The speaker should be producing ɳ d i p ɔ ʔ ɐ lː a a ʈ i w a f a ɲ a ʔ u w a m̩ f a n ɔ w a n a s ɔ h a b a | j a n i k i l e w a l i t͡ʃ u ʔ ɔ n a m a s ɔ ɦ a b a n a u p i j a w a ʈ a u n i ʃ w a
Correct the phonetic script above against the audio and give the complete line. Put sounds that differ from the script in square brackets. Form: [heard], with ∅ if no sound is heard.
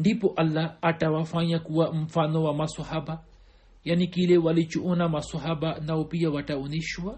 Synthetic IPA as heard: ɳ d i p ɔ ʔ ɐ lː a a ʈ [a] w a f a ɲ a [k] u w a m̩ f a n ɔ w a [m] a s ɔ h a b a | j a n i k i l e w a l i t͡ʃ u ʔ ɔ n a m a s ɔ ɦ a b a n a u p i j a w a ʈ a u n i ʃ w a